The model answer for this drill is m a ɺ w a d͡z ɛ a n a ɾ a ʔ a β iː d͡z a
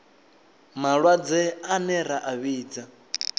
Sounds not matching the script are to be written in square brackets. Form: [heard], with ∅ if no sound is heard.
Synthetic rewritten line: m a ɺ w a d͡z ɛ a n [ɛ] ɾ a ʔ a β iː d͡z a